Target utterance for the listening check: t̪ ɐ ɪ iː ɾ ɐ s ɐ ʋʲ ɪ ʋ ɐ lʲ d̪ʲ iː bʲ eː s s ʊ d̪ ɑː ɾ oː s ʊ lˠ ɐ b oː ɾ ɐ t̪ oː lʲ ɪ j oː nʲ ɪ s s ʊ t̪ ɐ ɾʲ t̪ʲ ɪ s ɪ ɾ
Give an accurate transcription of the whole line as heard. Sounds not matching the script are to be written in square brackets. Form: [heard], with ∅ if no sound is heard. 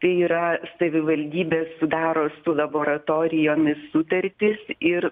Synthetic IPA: t̪ ɐ ɪ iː ɾ ɐ s ɐ ʋʲ ɪ ʋ ɐ lʲ d̪ʲ iː bʲ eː s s ʊ d̪ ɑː ɾ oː s ʊ lˠ ɐ b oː ɾ ɐ t̪ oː [ɾʲ] ɪ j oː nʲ ɪ s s ʊ t̪ ɐ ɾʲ t̪ʲ ɪ s ɪ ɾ